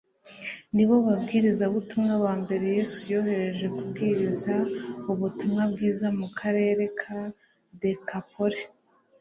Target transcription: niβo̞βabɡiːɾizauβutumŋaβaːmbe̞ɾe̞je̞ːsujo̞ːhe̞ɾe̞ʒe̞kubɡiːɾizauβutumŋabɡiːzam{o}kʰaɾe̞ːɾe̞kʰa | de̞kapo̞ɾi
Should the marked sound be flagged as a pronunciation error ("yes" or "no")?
yes